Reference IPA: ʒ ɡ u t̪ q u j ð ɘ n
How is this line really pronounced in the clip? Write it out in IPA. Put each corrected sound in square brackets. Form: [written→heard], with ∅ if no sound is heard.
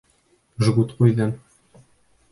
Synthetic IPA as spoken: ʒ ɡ u t̪ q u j ð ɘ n